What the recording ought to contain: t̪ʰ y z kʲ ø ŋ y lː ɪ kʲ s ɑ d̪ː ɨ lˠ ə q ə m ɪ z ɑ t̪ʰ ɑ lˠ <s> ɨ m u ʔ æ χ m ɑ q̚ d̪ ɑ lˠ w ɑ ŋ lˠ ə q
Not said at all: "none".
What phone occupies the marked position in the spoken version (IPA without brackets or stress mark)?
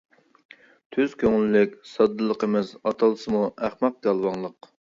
s